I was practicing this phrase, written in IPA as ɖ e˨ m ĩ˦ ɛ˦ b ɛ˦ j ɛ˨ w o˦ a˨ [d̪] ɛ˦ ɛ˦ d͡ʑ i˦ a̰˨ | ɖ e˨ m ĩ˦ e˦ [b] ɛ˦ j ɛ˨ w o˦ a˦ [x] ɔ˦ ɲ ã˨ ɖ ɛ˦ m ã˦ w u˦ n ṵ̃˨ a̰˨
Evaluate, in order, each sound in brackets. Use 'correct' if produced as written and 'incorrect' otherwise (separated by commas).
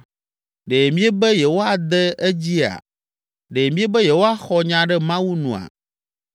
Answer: correct, correct, correct